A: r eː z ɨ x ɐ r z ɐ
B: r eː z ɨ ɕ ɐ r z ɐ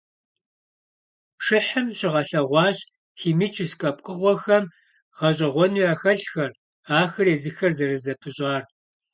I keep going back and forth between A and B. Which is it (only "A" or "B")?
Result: A